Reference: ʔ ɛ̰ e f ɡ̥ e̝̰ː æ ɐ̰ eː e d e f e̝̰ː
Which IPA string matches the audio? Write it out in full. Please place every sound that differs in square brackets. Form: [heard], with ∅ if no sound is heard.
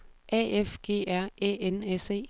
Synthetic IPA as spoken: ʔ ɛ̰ e f ɡ̥ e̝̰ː æ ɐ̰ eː e [n] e [s] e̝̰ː